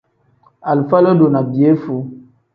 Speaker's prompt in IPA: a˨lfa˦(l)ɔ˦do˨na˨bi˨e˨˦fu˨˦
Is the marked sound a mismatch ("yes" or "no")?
no